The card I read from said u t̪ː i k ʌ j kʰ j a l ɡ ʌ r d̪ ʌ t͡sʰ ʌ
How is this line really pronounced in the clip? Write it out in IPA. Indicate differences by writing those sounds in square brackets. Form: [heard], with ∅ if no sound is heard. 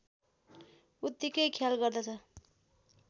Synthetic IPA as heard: u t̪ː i k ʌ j kʰ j a l ɡ ʌ r d̪ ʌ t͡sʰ ʌ